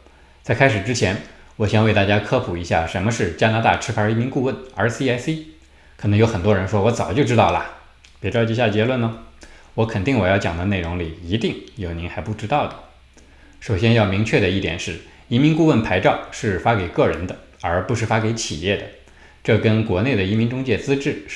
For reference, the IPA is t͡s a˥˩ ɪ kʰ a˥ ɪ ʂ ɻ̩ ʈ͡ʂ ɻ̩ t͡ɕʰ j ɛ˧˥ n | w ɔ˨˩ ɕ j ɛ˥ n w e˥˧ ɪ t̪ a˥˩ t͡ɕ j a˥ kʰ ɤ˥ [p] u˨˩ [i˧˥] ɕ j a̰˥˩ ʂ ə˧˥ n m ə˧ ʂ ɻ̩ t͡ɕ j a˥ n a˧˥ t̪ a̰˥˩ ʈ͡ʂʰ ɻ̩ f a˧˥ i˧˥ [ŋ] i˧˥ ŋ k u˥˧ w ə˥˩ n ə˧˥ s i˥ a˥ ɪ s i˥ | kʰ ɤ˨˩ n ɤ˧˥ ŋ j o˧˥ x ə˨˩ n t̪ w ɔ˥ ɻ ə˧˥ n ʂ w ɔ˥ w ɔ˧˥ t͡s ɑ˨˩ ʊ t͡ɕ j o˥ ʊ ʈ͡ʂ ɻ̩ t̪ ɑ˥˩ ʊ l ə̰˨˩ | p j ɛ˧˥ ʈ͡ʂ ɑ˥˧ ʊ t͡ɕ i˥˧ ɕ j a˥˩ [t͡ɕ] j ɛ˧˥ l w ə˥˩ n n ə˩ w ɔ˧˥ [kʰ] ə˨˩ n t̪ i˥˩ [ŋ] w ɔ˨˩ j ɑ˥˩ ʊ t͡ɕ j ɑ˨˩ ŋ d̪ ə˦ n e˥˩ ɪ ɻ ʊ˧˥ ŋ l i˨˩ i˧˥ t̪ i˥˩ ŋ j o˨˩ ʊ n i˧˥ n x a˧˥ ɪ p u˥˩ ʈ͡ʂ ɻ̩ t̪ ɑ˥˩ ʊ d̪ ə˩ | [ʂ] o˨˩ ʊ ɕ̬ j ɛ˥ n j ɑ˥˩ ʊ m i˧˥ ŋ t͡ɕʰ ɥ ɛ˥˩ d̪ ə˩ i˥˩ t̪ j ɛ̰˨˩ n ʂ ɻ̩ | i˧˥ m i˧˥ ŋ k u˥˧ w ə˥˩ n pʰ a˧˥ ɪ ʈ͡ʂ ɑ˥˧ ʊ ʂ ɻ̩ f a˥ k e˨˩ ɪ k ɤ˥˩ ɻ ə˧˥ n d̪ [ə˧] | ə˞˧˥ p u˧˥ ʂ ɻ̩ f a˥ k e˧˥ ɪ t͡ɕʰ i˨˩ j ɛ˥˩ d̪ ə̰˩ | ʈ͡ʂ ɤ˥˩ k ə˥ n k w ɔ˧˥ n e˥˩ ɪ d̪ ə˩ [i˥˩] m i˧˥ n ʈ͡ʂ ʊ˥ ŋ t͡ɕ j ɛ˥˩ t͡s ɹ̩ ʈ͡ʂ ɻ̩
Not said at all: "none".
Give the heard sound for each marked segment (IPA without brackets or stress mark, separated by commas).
pʰ, i˧˥, m, t͡ɕ, kʰ, ŋ, ʂ, ə˧, i˧˥